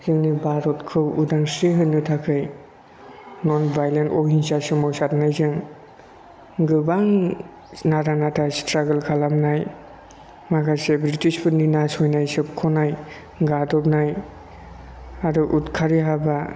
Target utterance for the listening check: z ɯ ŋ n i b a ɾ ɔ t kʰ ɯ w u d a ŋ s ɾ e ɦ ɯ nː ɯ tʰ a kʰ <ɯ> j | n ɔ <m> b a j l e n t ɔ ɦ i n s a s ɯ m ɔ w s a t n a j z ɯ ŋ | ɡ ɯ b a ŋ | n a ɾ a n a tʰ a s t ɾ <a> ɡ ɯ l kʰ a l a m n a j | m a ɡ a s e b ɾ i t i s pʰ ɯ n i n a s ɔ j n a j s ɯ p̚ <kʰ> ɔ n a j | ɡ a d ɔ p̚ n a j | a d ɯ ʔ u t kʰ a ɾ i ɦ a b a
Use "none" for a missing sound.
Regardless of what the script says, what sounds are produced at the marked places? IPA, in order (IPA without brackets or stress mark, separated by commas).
ɯ, n, a, kʰ